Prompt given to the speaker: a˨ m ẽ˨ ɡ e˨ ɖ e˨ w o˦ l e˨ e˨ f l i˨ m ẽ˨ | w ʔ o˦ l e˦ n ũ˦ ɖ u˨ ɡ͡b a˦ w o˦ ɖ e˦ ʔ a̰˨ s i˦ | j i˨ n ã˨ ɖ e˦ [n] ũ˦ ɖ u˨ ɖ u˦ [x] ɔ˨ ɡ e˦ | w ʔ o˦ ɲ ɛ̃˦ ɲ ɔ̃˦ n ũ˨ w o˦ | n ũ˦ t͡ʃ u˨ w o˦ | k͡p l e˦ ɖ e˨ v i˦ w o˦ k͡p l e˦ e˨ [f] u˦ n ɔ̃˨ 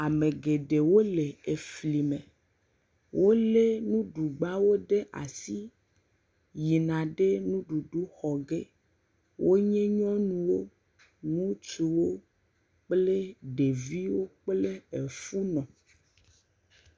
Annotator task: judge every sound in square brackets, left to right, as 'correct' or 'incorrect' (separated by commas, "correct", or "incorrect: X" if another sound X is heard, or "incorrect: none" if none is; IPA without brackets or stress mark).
correct, correct, correct